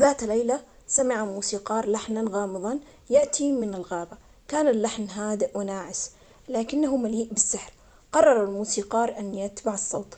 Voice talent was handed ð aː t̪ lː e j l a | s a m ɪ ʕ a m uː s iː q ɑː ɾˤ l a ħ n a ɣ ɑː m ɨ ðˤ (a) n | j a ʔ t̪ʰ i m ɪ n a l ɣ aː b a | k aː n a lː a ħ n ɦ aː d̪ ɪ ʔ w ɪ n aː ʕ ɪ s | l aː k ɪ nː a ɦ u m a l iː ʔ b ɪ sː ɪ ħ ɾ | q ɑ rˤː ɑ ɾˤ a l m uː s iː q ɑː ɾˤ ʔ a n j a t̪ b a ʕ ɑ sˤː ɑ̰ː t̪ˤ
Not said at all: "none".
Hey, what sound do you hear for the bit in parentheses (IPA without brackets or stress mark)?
ɑ